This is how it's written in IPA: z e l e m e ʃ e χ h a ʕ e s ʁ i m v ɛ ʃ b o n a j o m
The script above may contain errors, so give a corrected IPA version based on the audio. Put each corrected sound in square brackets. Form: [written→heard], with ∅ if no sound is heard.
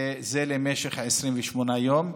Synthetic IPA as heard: z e l e m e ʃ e χ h a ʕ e s ʁ i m v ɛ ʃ [b→m] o n a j o m